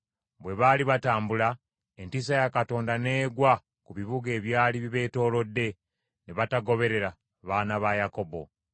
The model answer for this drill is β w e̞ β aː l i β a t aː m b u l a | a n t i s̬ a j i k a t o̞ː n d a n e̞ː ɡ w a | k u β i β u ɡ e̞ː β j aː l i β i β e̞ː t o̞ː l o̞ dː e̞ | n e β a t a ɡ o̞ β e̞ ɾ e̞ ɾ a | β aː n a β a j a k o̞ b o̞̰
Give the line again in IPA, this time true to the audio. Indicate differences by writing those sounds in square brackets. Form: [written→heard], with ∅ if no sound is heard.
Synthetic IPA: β w e̞ β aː l i β a t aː m b u l a | [a→e] n t i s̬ a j [i→a] k a t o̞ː n d a n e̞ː ɡ w a | k u β i β u ɡ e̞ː β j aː l i β i β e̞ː t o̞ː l o̞ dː e̞ | n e β a t a ɡ o̞ β e̞ ɾ e̞ ɾ a | β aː n a β a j a k o̞ b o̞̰